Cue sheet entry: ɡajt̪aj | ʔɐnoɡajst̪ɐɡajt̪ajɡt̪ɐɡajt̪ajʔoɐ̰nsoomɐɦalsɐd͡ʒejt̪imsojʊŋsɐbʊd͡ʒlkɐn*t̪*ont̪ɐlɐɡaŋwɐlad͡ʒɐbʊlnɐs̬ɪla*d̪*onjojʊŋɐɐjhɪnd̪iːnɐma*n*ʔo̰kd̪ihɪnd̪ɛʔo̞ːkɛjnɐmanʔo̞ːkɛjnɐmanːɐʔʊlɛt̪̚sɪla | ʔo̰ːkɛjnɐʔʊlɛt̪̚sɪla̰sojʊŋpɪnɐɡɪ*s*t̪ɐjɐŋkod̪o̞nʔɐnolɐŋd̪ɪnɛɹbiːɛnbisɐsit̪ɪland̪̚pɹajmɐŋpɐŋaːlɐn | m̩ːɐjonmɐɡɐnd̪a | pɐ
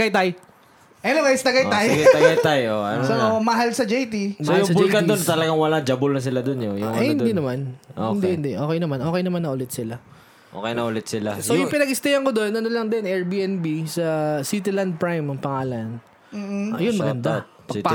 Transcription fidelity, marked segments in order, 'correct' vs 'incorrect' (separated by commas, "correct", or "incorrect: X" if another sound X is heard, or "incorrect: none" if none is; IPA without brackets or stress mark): incorrect: d̪, correct, correct, correct